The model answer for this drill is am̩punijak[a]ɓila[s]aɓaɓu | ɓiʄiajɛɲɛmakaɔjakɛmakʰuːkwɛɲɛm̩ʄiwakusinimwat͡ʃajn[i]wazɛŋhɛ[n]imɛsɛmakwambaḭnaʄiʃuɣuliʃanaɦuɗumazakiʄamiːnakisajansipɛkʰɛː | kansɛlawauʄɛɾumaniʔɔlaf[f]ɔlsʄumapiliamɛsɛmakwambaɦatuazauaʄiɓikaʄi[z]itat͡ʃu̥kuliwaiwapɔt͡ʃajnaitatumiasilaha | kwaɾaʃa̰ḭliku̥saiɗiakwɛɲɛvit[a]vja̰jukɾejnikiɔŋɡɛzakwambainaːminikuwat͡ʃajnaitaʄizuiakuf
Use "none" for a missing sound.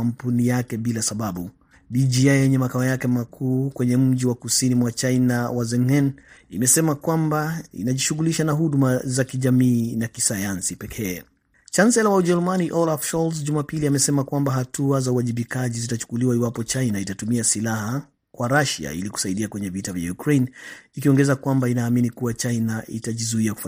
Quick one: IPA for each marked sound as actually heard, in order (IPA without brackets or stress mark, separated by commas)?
ɛ, s, a, n, ʃ, z, a